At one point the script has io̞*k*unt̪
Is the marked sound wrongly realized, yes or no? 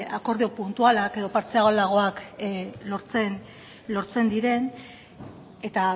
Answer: yes